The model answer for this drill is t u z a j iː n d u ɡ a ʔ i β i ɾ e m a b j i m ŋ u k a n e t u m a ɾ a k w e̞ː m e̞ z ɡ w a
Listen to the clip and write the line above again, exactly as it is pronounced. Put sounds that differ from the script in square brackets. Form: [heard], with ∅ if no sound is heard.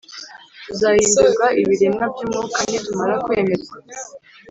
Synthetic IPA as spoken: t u z a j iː n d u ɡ a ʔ i β i ɾ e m a b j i m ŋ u k a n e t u m a ɾ a k w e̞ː m e̞ z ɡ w a